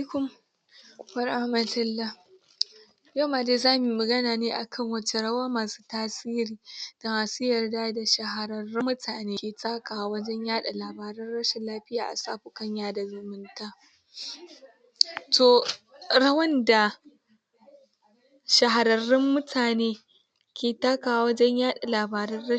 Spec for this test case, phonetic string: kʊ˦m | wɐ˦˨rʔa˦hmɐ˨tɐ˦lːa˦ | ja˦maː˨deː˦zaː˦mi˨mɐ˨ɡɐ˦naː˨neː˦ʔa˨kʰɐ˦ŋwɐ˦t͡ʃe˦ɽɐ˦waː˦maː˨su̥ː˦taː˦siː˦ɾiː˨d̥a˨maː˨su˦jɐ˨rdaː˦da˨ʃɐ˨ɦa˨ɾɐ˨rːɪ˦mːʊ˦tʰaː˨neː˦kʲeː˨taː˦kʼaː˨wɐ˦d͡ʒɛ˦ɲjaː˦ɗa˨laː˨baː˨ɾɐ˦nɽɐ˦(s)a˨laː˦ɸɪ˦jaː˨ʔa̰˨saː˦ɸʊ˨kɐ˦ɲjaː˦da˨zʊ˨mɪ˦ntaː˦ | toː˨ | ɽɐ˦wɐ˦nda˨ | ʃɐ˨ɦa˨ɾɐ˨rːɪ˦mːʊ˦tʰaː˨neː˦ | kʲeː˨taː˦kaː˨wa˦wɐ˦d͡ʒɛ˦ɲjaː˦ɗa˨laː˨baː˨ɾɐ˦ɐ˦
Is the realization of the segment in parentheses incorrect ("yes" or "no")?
yes